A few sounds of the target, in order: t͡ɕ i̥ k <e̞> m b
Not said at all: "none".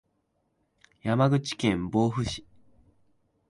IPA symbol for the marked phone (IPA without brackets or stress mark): ẽ̞